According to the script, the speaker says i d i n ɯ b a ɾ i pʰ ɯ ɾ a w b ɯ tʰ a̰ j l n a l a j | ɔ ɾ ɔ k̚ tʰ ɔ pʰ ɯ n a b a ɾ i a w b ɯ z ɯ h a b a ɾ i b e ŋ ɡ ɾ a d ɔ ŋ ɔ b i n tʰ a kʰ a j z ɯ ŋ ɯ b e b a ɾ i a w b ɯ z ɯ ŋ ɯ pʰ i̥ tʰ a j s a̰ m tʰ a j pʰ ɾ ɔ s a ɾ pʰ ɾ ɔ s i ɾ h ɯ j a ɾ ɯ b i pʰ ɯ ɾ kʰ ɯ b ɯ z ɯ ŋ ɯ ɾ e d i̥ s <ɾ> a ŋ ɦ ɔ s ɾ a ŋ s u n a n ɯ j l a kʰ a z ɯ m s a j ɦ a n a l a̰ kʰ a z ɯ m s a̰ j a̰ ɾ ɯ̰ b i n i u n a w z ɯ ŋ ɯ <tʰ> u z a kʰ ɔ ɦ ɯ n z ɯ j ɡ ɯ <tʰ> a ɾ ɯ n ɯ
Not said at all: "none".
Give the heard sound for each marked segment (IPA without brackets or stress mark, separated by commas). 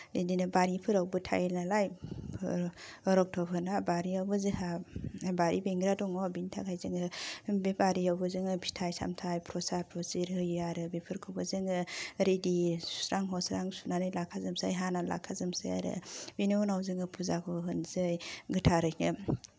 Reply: ɾ, pʰ, tʰ